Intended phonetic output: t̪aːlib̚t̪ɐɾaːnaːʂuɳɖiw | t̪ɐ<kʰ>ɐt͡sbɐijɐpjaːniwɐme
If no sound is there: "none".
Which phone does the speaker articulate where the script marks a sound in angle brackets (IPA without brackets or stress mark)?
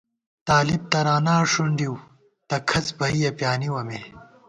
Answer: kʰ